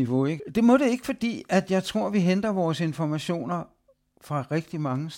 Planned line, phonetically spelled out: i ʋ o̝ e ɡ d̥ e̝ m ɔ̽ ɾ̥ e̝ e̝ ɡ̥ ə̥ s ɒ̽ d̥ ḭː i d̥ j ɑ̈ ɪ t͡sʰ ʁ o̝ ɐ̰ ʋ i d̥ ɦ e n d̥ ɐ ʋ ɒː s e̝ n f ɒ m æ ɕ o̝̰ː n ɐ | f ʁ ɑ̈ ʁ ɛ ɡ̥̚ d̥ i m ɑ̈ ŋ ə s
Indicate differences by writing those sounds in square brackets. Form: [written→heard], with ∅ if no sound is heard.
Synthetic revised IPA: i ʋ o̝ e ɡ d̥ e̝ m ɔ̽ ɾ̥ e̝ e̝ ɡ̥ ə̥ [s→f] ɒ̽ d̥ ḭː [i→æ] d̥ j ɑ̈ ɪ t͡sʰ ʁ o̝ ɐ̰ ʋ i [d̥→∅] ɦ e n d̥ ɐ ʋ ɒː s e̝ n f ɒ m æ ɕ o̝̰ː n ɐ | f ʁ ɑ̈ ʁ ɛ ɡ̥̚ d̥ i m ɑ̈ ŋ ə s